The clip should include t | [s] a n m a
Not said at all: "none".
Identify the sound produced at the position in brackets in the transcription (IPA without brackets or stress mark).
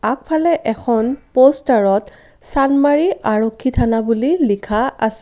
s